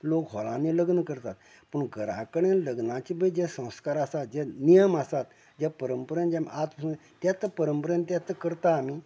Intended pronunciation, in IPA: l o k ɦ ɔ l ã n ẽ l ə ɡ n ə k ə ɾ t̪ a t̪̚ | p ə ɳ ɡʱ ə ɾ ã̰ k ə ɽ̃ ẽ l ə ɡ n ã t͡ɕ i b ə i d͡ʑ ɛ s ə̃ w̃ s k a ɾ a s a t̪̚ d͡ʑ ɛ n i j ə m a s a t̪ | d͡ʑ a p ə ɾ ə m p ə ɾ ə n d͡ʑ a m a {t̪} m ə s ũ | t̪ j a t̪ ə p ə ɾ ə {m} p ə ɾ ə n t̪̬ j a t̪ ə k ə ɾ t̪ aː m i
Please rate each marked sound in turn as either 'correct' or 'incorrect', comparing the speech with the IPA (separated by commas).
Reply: correct, correct